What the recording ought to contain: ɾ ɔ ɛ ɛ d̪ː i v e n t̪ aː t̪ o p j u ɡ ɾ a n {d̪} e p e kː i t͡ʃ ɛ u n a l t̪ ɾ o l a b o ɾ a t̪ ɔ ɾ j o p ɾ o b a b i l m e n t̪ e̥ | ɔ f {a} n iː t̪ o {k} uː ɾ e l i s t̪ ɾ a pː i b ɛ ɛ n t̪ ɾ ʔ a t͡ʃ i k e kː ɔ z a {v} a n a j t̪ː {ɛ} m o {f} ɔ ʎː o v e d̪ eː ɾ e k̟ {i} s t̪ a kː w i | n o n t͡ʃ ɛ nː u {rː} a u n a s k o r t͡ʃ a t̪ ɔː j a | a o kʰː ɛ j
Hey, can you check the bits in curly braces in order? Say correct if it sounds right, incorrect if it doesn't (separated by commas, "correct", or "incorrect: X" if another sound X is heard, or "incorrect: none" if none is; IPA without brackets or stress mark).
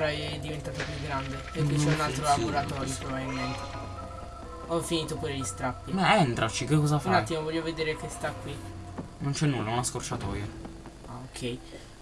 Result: correct, incorrect: i, incorrect: p, incorrect: f, incorrect: i, incorrect: v, incorrect: e, incorrect: lː